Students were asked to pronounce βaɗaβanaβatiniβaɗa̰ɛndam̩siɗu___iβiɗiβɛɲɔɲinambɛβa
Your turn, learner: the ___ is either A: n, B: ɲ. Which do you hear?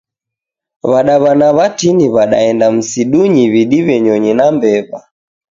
B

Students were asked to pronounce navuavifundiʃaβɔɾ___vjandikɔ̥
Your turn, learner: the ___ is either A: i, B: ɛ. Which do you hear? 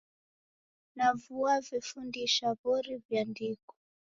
A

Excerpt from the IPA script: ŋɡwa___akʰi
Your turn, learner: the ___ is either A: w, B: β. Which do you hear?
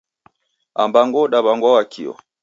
A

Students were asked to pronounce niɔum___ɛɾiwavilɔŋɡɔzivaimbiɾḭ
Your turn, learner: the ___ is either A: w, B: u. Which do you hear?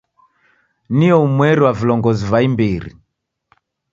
A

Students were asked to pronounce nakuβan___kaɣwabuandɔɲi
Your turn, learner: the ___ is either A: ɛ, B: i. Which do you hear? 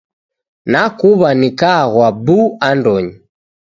B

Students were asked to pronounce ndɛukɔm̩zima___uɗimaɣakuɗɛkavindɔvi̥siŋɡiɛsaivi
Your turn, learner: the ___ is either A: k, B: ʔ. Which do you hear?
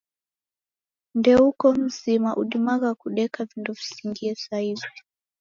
B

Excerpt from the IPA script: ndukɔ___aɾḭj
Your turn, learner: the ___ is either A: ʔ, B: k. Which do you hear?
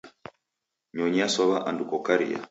B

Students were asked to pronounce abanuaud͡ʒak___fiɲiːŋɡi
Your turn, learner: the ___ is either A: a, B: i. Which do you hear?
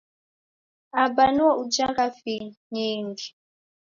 A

